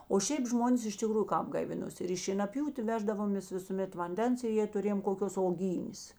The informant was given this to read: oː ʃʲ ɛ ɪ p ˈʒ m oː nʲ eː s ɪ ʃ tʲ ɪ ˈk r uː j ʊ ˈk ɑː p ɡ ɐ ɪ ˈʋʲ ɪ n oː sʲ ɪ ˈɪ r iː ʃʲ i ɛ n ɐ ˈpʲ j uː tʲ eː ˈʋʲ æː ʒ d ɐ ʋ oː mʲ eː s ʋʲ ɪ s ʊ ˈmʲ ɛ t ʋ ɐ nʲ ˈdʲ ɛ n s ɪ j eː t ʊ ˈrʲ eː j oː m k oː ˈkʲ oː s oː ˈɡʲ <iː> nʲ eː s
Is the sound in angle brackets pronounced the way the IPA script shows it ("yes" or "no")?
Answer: yes